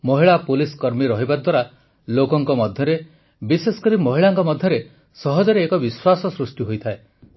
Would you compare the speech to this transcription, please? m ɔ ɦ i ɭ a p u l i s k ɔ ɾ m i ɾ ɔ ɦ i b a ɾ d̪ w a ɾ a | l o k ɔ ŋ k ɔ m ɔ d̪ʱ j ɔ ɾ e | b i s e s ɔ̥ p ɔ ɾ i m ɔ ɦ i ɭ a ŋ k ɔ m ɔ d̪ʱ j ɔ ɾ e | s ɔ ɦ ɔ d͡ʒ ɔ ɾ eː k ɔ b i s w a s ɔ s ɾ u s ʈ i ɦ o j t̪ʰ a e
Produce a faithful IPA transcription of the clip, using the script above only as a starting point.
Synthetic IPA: m ɔ ɦ i ɭ a p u l i s k ɔ ɾ m i ɾ ɔ ɦ i b a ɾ d̪ w a ɾ a | l o k ɔ ŋ k ɔ m ɔ d̪ʱ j ɔ ɾ e | b i s e s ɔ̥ k ɔ ɾ i m ɔ ɦ i ɭ a ŋ k ɔ m ɔ d̪ʱ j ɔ ɾ e | s ɔ ɦ ɔ d͡ʒ ɔ ɾ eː k ɔ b i s w a s ɔ s ɾ u s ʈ i ɦ o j t̪ʰ a e